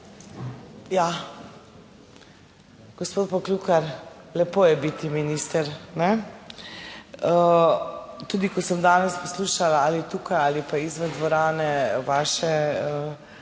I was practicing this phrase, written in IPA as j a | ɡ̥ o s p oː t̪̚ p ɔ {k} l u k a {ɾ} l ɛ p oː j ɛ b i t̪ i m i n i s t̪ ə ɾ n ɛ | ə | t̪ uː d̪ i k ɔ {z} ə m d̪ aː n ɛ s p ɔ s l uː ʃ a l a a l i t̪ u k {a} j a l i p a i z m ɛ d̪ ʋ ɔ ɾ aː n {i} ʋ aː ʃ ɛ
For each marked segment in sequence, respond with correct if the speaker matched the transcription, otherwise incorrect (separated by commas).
correct, correct, incorrect, correct, incorrect